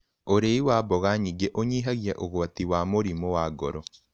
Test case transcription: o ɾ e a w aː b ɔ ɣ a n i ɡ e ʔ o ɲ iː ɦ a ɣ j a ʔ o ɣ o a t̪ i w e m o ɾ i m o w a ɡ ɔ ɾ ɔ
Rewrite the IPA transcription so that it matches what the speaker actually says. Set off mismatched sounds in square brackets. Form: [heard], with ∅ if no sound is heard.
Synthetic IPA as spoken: o ɾ e [i] w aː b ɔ ɣ a [ɲ] i ɡ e ʔ o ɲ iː ɦ a ɣ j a ʔ o ɣ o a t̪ i w [a] m o ɾ i m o w a ɡ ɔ ɾ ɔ